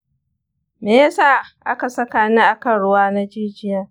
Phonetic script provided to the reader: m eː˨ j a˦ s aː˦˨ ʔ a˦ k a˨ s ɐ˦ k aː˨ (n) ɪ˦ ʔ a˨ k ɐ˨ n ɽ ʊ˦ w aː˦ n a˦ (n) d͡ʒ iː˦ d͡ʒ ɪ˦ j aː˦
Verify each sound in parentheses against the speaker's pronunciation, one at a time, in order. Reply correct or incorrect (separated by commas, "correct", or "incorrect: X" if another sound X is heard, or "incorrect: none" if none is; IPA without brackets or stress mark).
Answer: correct, incorrect: none